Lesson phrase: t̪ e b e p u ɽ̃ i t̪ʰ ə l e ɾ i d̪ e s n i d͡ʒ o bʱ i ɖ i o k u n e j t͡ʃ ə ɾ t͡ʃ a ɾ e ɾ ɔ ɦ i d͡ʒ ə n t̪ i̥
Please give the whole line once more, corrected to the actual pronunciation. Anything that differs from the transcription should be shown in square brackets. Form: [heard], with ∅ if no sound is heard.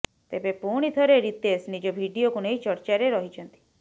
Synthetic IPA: t̪ e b e p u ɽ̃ i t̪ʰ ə [ɾ] e ɾ i [t̪] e s n i d͡ʒ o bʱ i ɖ i o k u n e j t͡ʃ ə ɾ t͡ʃ a ɾ e ɾ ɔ ɦ i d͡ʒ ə n t̪ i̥